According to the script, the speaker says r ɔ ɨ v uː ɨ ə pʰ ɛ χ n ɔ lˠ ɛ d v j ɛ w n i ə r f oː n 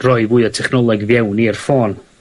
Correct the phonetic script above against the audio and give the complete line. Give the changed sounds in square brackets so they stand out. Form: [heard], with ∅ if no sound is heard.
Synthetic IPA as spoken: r ɔ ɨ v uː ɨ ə [tʰ] ɛ χ n ɔ lˠ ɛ [ɡ] v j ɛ w n i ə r f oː n

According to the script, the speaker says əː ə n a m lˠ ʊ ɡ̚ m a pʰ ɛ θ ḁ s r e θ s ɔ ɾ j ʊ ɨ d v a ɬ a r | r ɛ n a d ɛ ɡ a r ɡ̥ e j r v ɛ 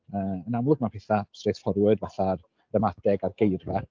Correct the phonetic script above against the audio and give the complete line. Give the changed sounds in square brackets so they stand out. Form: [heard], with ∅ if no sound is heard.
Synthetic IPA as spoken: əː ə n a m lˠ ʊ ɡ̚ m a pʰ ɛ θ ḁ s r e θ [f] ɔ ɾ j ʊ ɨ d v a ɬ a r | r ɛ [m] a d ɛ ɡ a r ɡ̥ e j r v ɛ

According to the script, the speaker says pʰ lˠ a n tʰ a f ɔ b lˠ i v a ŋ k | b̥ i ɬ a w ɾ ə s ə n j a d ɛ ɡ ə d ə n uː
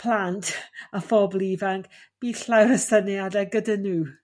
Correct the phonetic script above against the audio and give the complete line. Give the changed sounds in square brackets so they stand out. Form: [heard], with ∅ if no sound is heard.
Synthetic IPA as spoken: pʰ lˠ a n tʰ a f ɔ b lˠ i v a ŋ k | b̥ i ɬ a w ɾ ə s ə n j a d ɛ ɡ ə d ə n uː

